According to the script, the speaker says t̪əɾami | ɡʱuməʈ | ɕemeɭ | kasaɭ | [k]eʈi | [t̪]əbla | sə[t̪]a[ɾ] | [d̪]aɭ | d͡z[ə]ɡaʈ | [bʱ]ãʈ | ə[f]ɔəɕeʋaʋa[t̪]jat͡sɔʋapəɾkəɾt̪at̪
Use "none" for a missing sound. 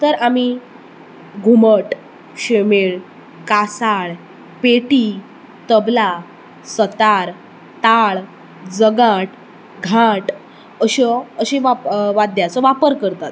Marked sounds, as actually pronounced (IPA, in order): p, t̪, t̪, ɾ, t̪, ə, ɡʱ, ɕ, d̪

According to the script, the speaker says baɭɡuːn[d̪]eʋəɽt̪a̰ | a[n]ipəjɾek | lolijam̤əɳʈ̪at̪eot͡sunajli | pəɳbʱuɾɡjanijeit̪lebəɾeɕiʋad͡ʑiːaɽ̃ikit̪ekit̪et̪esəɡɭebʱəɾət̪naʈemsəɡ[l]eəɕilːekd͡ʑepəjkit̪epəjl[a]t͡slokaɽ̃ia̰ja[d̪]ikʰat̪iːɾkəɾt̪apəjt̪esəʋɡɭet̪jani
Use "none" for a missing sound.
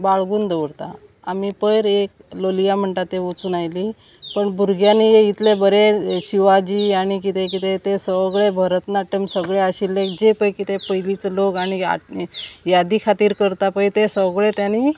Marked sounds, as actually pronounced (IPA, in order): d̪, m, ɭ, i, d̪

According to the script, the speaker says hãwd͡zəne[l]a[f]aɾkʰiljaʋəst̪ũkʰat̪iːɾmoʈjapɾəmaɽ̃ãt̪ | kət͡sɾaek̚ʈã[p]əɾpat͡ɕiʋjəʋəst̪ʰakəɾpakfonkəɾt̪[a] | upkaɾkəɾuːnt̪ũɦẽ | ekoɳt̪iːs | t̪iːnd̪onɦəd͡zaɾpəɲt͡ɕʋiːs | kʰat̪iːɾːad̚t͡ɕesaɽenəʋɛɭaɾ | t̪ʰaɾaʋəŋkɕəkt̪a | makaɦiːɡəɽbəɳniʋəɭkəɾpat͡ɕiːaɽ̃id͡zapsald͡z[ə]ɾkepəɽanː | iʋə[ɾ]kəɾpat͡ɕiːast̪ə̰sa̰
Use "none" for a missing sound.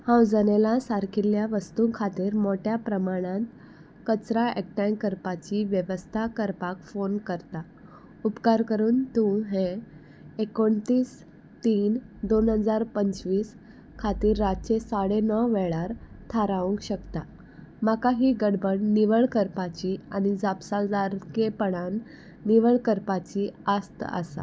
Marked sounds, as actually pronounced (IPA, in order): l, s, k, a, a, ɭ

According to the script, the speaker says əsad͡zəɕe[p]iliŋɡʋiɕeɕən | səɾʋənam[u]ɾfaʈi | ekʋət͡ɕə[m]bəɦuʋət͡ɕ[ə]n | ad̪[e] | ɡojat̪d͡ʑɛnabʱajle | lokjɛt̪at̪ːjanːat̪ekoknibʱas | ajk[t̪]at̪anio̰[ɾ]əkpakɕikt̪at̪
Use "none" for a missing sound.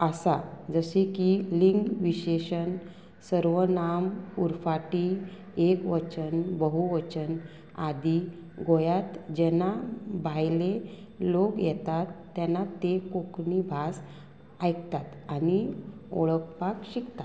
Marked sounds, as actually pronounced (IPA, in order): k, u, n, ə, i, t̪, ɭ

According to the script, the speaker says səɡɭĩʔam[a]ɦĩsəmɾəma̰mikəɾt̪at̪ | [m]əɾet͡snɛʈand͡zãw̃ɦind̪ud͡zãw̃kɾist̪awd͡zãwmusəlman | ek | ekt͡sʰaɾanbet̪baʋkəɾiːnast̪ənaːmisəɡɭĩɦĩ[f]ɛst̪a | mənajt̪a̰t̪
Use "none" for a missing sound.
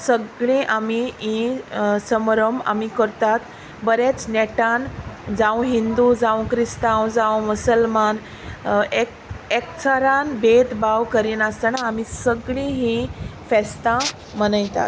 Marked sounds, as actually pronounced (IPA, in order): i, b, f

